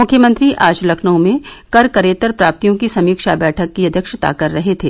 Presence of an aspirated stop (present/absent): present